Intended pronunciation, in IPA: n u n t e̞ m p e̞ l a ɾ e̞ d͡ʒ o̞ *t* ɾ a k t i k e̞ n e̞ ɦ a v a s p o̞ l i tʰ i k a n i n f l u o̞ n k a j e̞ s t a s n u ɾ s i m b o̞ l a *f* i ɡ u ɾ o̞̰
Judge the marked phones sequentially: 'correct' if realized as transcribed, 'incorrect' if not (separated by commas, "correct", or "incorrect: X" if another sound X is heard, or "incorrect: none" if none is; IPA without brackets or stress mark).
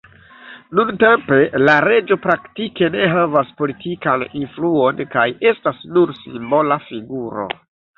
incorrect: p, correct